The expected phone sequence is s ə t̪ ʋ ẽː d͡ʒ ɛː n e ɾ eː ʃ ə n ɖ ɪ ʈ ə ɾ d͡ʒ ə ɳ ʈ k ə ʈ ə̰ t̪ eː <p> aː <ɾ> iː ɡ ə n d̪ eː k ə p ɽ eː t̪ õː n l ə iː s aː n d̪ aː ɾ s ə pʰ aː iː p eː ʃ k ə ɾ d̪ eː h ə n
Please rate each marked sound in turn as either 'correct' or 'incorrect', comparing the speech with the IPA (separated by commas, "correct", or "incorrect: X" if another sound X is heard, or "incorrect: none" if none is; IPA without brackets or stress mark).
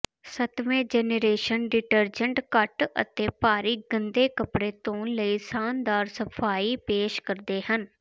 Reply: correct, correct